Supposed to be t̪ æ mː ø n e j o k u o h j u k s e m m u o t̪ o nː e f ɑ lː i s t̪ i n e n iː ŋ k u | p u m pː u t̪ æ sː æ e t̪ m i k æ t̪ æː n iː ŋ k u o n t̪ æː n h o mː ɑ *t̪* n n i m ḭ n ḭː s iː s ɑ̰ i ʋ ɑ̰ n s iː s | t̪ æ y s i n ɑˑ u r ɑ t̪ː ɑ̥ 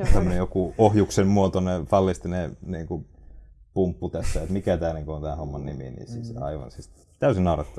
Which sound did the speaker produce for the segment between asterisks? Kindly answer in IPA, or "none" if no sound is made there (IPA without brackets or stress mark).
none